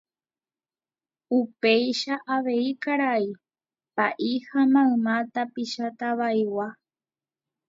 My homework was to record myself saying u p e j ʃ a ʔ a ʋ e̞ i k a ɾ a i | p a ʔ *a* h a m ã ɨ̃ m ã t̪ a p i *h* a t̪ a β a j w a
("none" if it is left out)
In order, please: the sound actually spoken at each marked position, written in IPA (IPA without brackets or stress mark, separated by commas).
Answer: i, ʃ